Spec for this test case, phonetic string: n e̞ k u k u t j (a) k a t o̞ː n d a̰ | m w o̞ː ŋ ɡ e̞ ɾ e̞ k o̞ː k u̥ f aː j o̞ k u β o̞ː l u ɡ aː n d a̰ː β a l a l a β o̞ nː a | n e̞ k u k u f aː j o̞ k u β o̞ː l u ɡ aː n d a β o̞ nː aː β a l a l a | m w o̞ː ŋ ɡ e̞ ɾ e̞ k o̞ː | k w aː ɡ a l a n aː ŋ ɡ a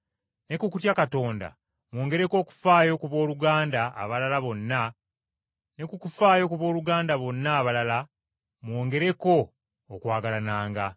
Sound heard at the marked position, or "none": a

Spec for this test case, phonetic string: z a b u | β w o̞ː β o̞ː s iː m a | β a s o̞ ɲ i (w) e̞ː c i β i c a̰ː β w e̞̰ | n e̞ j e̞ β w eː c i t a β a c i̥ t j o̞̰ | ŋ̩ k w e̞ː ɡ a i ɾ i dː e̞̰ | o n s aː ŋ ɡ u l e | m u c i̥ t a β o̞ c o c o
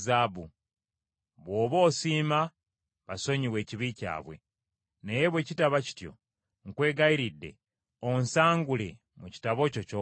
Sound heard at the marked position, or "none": w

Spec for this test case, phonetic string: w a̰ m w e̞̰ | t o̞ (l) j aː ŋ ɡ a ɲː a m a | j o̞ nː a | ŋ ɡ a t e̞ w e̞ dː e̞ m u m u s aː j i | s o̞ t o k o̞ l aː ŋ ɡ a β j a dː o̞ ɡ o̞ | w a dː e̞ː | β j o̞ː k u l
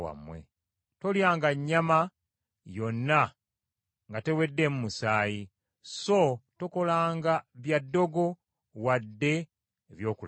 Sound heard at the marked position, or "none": l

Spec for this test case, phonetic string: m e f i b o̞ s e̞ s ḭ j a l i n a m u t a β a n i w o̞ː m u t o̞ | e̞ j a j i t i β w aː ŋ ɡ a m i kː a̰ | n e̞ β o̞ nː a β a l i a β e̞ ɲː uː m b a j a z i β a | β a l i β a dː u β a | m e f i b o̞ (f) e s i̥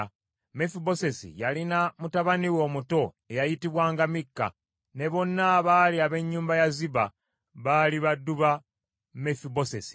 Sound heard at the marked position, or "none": s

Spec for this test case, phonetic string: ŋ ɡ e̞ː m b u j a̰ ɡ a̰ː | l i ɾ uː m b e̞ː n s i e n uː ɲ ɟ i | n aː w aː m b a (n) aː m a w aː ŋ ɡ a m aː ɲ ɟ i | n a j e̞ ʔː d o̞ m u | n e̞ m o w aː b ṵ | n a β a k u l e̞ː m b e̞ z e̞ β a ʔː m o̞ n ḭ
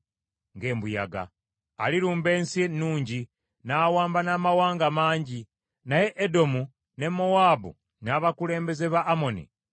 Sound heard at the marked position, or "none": n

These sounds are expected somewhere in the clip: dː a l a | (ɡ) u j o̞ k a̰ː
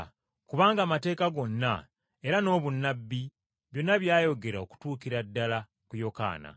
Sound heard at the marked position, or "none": k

